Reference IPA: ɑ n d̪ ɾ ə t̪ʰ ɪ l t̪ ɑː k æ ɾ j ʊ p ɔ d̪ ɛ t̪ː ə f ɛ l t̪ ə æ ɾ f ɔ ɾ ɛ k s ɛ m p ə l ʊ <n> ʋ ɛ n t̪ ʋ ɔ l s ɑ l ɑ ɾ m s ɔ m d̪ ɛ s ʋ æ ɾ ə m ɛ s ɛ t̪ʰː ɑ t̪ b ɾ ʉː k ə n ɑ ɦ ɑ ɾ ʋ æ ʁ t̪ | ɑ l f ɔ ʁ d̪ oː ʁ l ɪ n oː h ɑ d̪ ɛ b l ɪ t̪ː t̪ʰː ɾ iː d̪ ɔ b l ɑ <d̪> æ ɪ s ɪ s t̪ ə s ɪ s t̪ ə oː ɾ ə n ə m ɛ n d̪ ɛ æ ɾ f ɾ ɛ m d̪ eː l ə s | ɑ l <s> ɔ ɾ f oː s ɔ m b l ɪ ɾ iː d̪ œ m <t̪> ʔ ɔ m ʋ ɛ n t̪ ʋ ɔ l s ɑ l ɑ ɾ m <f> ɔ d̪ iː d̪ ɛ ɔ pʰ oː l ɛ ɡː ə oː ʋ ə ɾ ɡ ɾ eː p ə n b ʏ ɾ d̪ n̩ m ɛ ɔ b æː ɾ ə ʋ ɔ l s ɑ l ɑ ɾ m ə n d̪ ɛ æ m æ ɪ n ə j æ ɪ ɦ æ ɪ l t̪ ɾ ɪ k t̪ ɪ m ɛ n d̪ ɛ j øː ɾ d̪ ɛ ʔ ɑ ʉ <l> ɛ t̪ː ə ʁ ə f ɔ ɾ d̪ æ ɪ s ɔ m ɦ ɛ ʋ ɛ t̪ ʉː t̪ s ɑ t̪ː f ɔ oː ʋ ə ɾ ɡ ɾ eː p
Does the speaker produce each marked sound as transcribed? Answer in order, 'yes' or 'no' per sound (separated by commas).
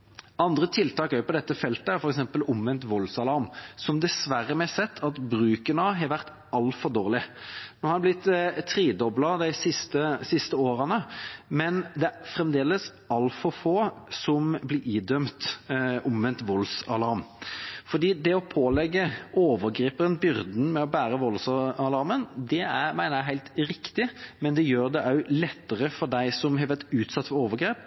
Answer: no, yes, no, yes, yes, yes